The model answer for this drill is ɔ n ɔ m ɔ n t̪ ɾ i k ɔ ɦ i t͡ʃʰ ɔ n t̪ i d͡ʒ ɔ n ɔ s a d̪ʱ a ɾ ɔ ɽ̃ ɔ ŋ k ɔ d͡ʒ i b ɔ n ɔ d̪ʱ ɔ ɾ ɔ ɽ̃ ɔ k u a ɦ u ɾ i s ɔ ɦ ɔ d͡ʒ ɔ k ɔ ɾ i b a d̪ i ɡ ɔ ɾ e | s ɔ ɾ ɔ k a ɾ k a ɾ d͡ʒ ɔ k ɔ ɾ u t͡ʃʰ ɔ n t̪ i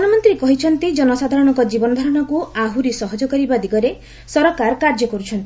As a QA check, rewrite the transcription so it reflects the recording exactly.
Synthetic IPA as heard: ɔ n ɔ m ɔ n t̪ ɾ i k ɔ ɦ i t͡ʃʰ ɔ n t̪ i d͡ʒ ɔ n ɔ s a d̪ʱ a ɾ ɔ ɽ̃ ɔ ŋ k ɔ d͡ʒ i b ɔ n ɔ d̪ʱ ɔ ɾ ɔ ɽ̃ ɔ k u a ɦ u ɾ i s ɔ ɦ ɔ d͡ʒ ɔ k ɔ ɾ i b a d̪ i ɡ ɔ ɾ e | s ɔ ɾ ɔ k a ɾ k a ɾ d͡ʒ ɔ k ɔ ɾ u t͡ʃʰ ɔ n t̪ i